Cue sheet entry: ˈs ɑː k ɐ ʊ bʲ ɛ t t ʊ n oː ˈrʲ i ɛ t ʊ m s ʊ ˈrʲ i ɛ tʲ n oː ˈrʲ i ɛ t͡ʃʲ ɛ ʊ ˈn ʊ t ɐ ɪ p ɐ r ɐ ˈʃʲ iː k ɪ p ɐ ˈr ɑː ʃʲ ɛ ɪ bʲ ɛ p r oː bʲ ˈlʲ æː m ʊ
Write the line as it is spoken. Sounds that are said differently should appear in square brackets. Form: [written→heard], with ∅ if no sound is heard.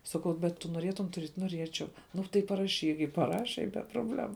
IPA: ˈs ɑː k ɐ ʊ bʲ ɛ t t ʊ n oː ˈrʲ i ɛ t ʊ m [s→t] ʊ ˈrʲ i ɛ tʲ n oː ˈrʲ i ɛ t͡ʃʲ ɛ ʊ ˈn ʊ t ɐ ɪ p ɐ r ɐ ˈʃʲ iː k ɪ p ɐ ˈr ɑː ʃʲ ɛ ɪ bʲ ɛ p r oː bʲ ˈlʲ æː m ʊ